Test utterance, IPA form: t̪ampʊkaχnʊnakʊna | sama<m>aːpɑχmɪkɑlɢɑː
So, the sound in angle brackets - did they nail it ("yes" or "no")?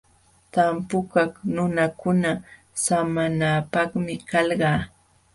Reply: no